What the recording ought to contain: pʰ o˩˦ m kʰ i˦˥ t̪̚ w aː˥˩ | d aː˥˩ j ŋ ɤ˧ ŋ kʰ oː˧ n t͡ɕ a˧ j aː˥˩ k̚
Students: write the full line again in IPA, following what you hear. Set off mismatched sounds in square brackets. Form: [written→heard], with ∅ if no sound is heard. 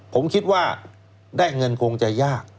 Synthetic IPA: pʰ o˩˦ m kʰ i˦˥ t̪̚ w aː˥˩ | d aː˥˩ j ŋ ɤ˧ [ŋ→n] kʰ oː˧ [n→ŋ] t͡ɕ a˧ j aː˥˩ k̚

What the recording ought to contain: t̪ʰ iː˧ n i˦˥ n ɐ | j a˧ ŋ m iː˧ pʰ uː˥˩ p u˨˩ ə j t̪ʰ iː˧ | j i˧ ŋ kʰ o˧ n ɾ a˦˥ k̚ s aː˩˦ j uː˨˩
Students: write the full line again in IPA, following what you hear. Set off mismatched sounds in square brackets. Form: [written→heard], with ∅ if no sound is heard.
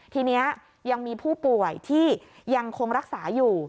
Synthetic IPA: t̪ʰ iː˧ n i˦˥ [n→∅] ɐ | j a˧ ŋ m iː˧ pʰ uː˥˩ p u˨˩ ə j t̪ʰ [iː˧→iː˥˩] | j [i˧→a˧] ŋ kʰ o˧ [n→ŋ] ɾ a˦˥ k̚ s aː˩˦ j uː˨˩

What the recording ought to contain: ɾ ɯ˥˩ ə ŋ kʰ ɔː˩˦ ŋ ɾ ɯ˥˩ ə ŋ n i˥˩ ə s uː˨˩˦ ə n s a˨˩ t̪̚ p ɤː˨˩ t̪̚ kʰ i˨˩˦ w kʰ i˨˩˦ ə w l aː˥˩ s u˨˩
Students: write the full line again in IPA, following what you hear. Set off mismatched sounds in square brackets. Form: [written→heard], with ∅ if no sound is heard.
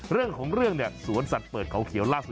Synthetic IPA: ɾ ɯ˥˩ ə ŋ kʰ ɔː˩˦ ŋ ɾ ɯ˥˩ ə ŋ n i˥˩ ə s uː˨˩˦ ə n s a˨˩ t̪̚ p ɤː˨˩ t̪̚ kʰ [i˨˩˦→a˨˩˦] w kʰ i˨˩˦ ə w l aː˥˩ s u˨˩

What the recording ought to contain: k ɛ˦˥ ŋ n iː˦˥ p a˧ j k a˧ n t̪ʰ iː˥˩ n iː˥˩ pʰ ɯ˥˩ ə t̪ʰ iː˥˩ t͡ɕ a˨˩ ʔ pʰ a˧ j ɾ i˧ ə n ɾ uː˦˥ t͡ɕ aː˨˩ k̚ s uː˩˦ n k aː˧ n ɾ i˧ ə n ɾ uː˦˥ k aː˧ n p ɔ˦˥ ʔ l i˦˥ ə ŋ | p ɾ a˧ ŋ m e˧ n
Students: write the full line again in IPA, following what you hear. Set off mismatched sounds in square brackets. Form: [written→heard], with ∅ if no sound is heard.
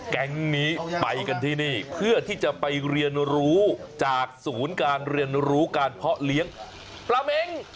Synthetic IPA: k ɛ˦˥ ŋ n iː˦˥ p a˧ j k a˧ n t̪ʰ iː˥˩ n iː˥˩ pʰ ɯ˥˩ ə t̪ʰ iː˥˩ t͡ɕ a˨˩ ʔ [pʰ→p] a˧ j ɾ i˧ ə n ɾ uː˦˥ t͡ɕ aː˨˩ k̚ s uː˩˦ n k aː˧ n ɾ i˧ ə n ɾ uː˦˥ k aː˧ n [p→pʰ] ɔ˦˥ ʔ l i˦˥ ə ŋ | p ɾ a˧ [ŋ→∅] m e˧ [n→ŋ]

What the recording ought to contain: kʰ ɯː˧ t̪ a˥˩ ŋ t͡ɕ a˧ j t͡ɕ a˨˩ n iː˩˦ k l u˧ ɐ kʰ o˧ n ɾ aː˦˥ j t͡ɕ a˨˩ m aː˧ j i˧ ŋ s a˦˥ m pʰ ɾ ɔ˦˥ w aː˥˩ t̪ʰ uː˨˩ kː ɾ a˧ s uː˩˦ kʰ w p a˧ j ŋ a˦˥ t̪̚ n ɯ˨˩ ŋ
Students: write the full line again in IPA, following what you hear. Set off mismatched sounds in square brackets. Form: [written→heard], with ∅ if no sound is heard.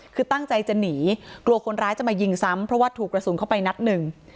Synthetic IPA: kʰ ɯː˧ t̪ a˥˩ ŋ t͡ɕ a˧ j t͡ɕ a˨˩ n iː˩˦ k l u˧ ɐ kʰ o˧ n ɾ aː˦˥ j t͡ɕ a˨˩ m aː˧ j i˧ ŋ s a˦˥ m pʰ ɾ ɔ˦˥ w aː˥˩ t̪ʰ uː˨˩ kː ɾ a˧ s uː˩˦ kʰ w p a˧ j [ŋ→n] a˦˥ t̪̚ n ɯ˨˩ ŋ

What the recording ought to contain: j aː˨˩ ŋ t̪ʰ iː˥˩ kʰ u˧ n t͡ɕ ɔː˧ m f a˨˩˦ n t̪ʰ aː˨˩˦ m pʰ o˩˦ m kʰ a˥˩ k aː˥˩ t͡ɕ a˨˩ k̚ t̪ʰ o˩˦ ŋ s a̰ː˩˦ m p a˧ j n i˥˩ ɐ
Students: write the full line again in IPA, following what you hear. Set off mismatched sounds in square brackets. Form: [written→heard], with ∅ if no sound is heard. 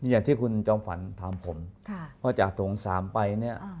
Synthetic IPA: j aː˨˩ ŋ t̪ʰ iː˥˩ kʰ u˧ n t͡ɕ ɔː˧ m f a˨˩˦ n t̪ʰ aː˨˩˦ m pʰ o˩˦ m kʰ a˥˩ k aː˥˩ t͡ɕ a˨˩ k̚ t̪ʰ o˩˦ ŋ s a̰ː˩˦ m p a˧ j n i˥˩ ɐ

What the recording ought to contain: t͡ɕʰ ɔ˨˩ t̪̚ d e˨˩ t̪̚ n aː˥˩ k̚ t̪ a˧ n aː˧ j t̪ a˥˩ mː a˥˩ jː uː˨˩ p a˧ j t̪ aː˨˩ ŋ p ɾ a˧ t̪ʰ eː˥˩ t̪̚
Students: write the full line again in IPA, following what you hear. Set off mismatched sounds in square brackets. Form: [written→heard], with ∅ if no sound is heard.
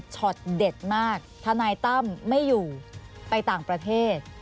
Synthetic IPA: t͡ɕʰ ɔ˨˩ t̪̚ d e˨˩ t̪̚ [n→m] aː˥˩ k̚ [t̪→t̪ʰ] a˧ n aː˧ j t̪ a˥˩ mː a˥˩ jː uː˨˩ p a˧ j t̪ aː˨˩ ŋ p ɾ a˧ t̪ʰ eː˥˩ t̪̚

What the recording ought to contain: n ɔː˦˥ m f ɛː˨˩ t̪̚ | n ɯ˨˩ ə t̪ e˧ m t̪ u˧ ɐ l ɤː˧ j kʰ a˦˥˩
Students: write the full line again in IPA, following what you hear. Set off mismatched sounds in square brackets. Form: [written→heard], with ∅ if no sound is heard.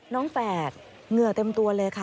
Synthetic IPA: n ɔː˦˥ [m→ŋ] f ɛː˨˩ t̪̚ | [n→ŋ] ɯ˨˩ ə t̪ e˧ m t̪ u˧ ɐ l ɤː˧ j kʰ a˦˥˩

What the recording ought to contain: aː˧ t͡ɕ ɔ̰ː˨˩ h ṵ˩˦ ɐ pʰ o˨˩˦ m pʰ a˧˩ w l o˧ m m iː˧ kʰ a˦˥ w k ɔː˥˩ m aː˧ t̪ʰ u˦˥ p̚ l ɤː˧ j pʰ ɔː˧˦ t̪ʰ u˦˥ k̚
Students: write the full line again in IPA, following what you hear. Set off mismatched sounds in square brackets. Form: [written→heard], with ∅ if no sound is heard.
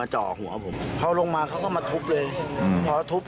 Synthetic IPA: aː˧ t͡ɕ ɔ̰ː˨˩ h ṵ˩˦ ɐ pʰ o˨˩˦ m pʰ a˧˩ w l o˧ [m→ŋ] m [iː˧→aː˧] kʰ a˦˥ w k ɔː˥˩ m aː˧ t̪ʰ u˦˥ p̚ l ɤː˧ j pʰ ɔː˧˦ t̪ʰ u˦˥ [k̚→p̚]

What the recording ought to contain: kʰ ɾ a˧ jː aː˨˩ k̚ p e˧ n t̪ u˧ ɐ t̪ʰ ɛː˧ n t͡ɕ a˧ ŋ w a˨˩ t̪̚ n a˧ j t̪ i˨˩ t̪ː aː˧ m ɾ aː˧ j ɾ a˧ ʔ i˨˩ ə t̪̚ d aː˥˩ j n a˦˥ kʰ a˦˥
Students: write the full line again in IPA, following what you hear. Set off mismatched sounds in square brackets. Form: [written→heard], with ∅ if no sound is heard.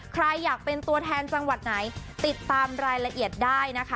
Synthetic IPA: kʰ ɾ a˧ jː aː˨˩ k̚ p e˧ n t̪ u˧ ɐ t̪ʰ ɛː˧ n t͡ɕ a˧ ŋ w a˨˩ t̪̚ n [a˧→a˩˦] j t̪ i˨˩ t̪ː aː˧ m ɾ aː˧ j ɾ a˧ ʔ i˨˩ ə t̪̚ d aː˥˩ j n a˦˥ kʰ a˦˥

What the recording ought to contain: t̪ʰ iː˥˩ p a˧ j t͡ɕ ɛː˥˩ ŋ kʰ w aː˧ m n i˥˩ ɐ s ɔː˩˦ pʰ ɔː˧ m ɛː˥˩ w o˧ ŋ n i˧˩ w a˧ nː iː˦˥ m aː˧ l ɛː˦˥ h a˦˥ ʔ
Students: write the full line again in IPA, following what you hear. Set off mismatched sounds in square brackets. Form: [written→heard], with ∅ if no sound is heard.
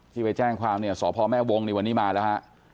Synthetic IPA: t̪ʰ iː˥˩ p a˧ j t͡ɕ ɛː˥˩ ŋ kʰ w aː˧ m n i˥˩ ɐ s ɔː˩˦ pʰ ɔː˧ m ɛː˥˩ w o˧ ŋ n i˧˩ w a˧ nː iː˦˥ m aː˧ l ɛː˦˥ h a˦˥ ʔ

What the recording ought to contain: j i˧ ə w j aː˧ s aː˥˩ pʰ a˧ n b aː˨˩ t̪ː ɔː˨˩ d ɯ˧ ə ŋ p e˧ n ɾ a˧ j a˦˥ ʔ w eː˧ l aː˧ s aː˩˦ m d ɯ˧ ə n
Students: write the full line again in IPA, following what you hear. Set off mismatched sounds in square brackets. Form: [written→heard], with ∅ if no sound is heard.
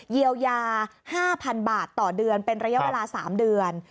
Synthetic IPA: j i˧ ə w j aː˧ [s→h] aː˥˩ pʰ a˧ n b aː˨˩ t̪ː ɔː˨˩ d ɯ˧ ə [ŋ→n] p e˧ n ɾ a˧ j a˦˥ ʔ w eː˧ l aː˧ s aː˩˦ m d ɯ˧ ə n

